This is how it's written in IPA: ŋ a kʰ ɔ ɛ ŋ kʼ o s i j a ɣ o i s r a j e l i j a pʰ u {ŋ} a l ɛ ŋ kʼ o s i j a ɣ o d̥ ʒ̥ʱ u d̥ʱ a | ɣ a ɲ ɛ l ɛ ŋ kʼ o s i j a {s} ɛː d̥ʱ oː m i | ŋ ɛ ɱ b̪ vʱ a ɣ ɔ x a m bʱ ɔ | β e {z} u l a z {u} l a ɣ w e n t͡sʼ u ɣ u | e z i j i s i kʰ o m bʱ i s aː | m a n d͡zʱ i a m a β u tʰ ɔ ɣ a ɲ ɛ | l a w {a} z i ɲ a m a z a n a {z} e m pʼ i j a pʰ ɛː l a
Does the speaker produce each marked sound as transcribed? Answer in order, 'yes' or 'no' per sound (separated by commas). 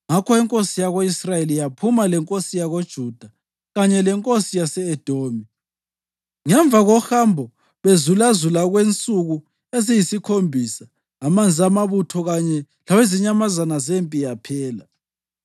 no, yes, yes, yes, no, yes